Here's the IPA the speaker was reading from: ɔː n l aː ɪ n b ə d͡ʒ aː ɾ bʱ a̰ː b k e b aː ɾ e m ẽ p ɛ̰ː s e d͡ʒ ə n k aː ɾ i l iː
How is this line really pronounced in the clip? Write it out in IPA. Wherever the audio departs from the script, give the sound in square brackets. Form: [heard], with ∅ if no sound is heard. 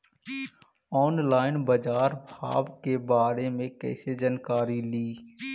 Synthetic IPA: ɔː n l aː ɪ n b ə d͡ʒ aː ɾ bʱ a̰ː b k e b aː ɾ e m ẽ [k] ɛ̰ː s e d͡ʒ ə n k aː ɾ i l iː